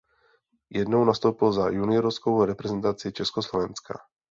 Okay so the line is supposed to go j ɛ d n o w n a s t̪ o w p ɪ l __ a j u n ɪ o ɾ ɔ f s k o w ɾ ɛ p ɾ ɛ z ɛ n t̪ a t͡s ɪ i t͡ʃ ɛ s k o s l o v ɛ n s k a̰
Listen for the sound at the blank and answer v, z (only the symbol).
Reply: z